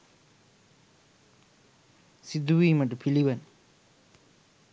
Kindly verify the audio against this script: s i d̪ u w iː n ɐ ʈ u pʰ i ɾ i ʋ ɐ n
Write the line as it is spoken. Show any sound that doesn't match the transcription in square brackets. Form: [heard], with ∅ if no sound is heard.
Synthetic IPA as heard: s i d̪ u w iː [m] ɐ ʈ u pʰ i [l] i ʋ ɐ n